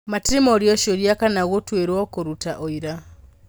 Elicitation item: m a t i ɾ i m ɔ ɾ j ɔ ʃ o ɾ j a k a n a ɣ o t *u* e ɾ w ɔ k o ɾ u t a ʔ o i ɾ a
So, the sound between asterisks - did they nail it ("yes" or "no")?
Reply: no